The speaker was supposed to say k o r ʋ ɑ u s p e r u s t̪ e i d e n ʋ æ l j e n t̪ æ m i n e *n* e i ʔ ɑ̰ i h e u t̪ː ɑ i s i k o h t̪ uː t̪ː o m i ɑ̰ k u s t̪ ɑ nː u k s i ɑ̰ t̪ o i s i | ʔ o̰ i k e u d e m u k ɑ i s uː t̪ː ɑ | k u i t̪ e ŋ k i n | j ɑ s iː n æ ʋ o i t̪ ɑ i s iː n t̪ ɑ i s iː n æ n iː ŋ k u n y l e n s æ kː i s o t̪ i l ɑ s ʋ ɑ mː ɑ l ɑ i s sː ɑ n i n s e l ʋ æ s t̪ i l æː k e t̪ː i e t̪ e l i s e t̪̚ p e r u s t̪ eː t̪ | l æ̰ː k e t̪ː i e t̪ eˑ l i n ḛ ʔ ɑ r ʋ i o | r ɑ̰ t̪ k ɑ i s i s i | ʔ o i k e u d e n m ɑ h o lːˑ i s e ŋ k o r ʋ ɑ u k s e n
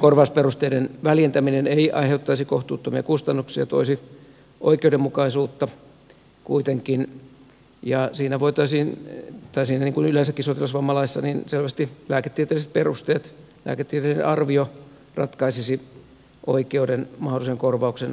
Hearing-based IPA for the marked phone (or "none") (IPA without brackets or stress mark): n